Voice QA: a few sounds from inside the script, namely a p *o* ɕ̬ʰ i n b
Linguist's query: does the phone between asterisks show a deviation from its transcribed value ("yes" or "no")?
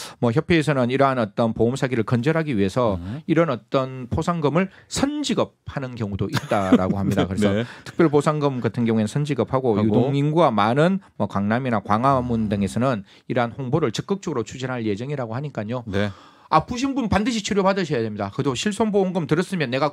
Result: yes